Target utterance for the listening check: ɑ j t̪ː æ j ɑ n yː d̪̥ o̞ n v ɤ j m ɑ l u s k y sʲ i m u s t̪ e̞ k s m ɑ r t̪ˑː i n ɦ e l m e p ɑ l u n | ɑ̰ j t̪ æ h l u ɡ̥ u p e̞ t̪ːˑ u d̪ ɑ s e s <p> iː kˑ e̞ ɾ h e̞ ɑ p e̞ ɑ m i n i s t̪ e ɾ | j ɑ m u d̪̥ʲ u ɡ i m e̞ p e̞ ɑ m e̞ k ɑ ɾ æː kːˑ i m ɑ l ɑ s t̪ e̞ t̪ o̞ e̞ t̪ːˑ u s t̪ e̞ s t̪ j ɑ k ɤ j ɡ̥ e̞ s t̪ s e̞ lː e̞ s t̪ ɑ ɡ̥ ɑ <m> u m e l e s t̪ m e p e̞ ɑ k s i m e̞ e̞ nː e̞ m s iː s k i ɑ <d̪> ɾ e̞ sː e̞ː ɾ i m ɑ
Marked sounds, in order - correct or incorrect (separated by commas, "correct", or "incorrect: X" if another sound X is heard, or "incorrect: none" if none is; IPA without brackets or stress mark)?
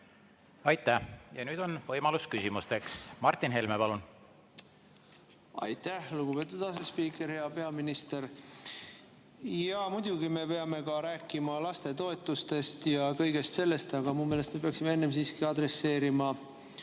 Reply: correct, correct, correct